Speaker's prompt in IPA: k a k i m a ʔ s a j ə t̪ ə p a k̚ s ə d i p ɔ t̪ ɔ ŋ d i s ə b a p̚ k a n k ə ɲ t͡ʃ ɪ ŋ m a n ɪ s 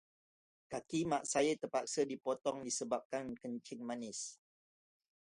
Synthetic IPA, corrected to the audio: k a k i m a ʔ s a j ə t̪ ə p a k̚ s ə d i p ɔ t̪ ɔ ŋ d i s ə b a p̚ k a n k ə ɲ t͡ʃ ɪ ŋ m a n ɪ s